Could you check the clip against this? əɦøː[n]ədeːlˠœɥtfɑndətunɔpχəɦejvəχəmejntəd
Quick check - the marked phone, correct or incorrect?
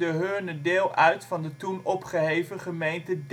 correct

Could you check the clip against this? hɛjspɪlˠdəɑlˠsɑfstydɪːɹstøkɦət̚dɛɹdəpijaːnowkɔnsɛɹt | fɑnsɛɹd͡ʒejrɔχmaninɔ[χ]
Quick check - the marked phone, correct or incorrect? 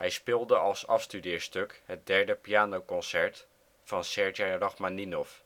incorrect: f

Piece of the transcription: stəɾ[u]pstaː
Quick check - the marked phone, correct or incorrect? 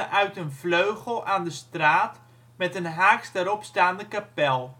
incorrect: ɔ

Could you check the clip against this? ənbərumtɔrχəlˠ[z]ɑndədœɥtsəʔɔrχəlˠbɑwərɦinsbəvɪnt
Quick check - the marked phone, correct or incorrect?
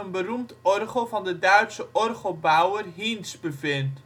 incorrect: v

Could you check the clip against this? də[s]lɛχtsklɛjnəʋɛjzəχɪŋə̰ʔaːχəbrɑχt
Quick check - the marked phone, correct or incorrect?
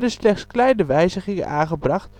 correct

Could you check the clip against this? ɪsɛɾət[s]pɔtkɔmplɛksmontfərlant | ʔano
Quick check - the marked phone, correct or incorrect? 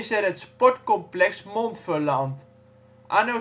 correct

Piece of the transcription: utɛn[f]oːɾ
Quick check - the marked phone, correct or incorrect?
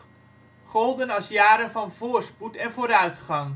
incorrect: v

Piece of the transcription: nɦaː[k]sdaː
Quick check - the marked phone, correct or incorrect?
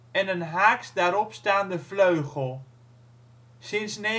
correct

